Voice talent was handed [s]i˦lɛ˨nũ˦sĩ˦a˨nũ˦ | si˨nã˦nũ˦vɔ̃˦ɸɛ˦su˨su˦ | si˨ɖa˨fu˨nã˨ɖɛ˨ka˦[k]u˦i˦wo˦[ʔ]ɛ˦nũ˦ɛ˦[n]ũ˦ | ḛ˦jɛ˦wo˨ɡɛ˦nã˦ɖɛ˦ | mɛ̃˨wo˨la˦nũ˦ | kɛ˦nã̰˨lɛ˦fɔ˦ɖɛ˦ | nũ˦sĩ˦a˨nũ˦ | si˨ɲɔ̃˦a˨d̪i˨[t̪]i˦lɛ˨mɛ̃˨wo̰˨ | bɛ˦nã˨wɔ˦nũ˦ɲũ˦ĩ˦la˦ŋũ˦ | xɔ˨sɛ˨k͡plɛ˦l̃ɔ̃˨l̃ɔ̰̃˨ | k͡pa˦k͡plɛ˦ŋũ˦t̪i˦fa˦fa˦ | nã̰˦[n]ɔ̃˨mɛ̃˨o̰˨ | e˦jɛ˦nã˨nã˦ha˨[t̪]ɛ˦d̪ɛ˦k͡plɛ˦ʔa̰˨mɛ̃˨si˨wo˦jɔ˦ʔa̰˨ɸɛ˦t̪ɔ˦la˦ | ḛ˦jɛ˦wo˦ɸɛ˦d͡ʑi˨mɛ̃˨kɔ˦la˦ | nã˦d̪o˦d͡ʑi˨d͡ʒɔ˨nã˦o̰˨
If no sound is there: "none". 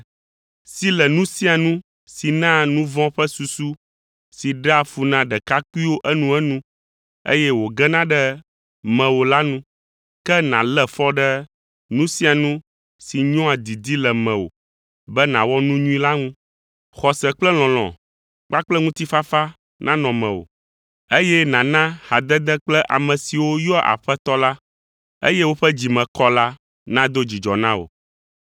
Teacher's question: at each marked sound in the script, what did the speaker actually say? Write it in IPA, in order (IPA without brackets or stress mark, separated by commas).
s, k, ʔ, n, d̪, n, d̪